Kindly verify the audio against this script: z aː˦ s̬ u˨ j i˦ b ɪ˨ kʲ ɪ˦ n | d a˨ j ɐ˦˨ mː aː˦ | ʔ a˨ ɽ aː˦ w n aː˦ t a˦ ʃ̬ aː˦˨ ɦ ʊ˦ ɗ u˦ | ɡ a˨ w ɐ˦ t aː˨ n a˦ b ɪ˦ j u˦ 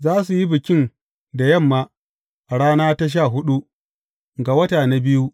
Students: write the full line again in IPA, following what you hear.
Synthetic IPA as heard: z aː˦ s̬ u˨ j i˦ b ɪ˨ kʲ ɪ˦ n | d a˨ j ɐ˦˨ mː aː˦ | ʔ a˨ ɽ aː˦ n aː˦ t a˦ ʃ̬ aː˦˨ ɦ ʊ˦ ɗ u˦ | ɡ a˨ w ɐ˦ t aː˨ n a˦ b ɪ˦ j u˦